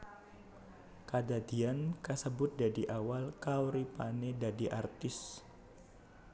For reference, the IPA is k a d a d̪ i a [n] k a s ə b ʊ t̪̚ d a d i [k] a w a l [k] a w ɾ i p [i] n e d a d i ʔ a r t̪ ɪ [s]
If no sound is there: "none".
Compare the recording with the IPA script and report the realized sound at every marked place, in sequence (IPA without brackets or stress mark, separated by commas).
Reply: n, ʔ, k, a, s